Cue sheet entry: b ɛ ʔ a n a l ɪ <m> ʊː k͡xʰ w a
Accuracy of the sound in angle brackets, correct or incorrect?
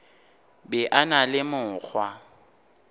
correct